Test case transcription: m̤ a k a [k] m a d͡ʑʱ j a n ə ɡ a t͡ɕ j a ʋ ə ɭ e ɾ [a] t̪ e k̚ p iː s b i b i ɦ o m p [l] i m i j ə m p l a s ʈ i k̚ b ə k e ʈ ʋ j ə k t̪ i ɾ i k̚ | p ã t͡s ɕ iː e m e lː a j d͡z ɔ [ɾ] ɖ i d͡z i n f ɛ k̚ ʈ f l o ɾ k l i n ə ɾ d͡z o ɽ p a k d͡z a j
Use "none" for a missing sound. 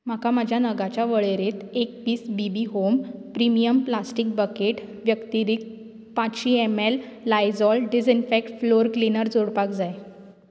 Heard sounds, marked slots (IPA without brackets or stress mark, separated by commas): none, e, ɾ, l